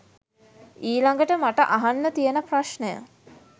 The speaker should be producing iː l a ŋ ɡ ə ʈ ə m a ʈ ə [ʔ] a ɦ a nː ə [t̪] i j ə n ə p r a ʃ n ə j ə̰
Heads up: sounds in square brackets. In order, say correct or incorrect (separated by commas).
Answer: correct, correct